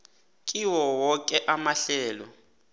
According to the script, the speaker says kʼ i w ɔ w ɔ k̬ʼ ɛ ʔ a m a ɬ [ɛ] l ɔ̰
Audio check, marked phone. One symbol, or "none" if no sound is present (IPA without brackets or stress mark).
ɛː